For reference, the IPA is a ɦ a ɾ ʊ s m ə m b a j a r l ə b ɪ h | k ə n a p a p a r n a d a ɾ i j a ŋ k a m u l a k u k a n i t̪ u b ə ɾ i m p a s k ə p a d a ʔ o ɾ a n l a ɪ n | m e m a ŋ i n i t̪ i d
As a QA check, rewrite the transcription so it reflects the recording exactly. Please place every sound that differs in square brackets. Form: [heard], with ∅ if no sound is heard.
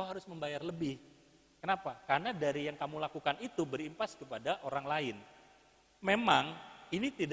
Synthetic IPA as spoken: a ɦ a ɾ ʊ s m ə m b a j a r l ə b ɪ h | k ə n a p a [k] a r n a d a ɾ i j a ŋ k a m u l a k u k a n i t̪ u b ə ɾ i m p a s k ə p a d a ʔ o ɾ a [ŋ] l a ɪ n | m e m a ŋ i n i t̪ i d